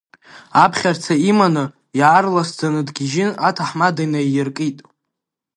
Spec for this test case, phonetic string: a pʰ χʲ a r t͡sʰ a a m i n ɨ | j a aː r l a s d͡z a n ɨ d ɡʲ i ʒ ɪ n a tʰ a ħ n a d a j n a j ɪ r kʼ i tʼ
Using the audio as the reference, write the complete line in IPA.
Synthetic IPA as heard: a pʰ χʲ a r t͡sʰ a i m a n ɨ | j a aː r l a s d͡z a n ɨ d ɡʲ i ʒ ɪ n a tʰ a ħ m a d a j n a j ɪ r kʼ i tʼ